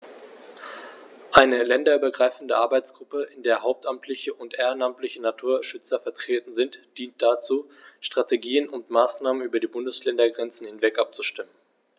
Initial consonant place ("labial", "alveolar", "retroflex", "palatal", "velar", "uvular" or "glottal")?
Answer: glottal